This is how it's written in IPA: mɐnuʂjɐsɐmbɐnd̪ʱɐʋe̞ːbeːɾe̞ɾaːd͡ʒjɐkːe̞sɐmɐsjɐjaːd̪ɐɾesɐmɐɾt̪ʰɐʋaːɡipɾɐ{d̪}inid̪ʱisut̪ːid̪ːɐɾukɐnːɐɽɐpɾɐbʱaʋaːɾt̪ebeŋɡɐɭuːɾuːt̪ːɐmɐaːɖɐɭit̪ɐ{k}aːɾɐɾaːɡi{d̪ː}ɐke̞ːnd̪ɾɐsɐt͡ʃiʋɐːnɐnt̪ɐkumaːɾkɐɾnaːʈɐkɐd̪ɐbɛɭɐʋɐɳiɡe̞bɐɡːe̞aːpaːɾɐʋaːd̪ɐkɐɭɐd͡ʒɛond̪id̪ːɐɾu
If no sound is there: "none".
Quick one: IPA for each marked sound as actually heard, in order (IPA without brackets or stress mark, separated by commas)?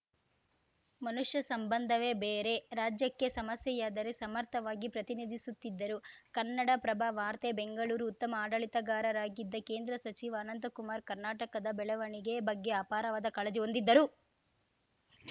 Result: t̪, ɡ, d̪ː